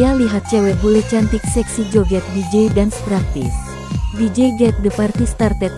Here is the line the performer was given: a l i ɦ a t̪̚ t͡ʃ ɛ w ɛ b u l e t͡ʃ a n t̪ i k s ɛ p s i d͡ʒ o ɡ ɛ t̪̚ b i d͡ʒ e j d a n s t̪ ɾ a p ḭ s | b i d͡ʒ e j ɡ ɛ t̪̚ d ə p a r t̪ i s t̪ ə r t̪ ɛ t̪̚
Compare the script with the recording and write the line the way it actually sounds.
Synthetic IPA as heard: a l i ɦ a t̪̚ t͡ʃ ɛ w ɛ b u l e t͡ʃ a n t̪ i k s ɛ k s i d͡ʒ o ɡ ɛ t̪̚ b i d͡ʒ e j d a n s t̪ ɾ a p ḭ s | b i d͡ʒ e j ɡ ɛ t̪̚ d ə p a r t̪ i s t̪ a r t̪ ɛ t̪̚